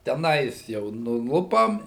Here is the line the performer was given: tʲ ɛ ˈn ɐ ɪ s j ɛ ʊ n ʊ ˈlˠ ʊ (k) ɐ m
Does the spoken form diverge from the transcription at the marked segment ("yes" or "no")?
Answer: yes